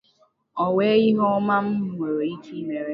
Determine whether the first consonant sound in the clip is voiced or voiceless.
voiced